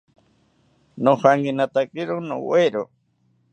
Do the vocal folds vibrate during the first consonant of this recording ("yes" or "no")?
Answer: yes